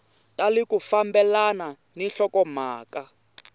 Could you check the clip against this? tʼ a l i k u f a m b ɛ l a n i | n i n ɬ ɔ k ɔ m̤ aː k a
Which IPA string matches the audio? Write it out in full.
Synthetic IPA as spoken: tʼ a l i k u f a m b ɛ l a n a | n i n ɬ ɔ k ɔ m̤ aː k a